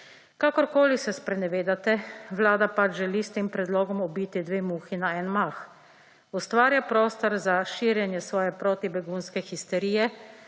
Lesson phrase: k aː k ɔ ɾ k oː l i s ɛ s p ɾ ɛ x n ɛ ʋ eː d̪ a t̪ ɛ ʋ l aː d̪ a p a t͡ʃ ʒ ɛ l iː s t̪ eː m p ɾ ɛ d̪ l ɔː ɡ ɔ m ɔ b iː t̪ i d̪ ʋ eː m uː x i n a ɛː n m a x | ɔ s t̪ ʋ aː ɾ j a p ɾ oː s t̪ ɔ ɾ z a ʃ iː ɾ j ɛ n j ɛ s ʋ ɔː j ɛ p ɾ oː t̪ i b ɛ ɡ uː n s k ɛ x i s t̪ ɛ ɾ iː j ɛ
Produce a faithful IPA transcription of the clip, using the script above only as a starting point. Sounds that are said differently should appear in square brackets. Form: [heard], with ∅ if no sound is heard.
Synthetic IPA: k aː k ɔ ɾ k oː l i s ɛ s p ɾ ɛ [∅] n ɛ ʋ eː d̪ a t̪ ɛ ʋ l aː d̪ a p a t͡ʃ ʒ ɛ l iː s t̪ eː m p ɾ ɛ d̪ l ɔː ɡ ɔ m ɔ b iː t̪ i d̪ ʋ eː m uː x i n a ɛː n m a x | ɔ s t̪ ʋ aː ɾ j a p ɾ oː s t̪ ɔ ɾ z a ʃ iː ɾ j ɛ n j ɛ s ʋ ɔː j ɛ p ɾ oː t̪ i b ɛ ɡ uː n s k ɛ x i s t̪ ɛ ɾ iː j ɛ